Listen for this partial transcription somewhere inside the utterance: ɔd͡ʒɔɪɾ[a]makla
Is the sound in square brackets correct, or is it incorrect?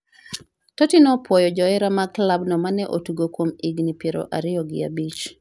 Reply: correct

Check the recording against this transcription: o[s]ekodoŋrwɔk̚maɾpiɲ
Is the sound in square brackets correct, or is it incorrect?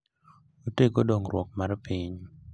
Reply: incorrect: t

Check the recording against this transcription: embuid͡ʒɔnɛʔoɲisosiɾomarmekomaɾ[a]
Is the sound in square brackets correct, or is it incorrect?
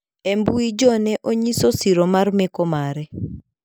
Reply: incorrect: ɛ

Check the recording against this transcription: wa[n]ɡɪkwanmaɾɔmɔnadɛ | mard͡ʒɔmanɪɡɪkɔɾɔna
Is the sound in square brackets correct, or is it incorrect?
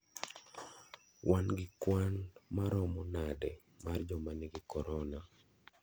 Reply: correct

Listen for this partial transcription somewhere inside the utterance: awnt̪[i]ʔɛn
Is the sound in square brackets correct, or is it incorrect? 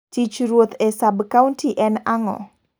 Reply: correct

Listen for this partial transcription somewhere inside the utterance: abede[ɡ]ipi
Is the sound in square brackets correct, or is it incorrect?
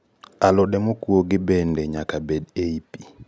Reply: incorrect: none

